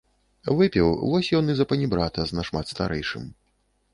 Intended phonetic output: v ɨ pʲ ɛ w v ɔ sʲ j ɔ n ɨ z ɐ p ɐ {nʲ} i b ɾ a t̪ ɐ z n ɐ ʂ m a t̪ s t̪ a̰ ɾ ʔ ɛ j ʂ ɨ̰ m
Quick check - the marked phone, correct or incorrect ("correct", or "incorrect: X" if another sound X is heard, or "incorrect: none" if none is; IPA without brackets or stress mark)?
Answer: correct